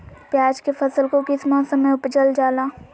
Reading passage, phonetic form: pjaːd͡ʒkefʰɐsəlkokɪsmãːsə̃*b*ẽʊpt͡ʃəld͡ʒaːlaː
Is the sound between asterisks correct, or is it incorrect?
incorrect